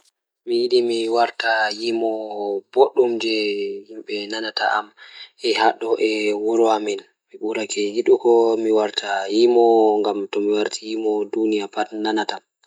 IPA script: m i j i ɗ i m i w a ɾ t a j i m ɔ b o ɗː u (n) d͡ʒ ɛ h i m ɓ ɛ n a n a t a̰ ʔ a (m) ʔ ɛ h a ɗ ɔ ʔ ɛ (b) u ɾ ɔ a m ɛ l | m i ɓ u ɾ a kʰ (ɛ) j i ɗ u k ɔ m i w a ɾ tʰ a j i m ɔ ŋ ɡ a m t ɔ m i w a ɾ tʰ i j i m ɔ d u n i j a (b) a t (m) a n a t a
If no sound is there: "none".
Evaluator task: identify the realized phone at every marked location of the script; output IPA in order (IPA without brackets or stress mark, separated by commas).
m, m, w, ɛ, p, n